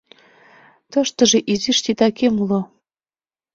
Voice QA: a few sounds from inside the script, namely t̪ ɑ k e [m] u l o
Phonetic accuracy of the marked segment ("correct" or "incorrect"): correct